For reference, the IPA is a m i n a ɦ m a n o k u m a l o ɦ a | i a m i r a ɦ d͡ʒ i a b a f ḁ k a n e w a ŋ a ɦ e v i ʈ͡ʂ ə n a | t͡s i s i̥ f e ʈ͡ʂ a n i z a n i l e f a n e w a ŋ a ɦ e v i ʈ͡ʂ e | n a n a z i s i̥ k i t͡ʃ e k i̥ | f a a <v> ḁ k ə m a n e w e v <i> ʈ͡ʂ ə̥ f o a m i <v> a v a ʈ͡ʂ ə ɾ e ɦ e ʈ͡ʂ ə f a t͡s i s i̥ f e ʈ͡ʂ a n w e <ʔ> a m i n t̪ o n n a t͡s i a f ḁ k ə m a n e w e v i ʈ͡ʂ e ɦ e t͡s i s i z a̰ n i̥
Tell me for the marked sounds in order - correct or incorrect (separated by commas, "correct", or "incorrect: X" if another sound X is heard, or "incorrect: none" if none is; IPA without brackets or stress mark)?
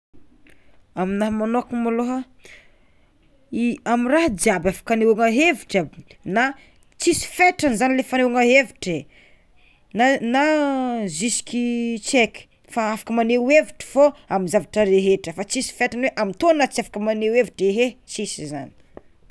incorrect: f, correct, incorrect: z, correct